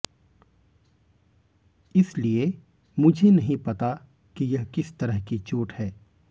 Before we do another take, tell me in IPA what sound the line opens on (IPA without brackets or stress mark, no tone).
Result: ɪ